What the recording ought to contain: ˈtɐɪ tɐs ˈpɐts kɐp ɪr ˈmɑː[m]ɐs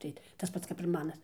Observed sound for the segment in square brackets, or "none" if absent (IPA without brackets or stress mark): n